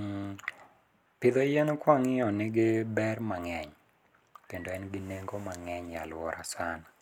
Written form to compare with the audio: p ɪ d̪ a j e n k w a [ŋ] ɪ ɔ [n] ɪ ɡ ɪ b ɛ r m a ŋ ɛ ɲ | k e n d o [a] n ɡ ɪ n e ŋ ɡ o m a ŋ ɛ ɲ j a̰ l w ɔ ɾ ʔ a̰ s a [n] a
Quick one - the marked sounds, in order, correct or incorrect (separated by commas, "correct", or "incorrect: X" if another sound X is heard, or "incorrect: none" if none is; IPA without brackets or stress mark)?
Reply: correct, correct, incorrect: ɛ, correct